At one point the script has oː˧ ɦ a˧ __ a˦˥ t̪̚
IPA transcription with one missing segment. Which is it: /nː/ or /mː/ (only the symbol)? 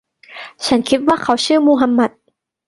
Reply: mː